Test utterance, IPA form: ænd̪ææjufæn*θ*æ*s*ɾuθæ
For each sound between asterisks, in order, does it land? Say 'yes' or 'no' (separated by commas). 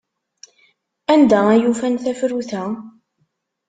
yes, no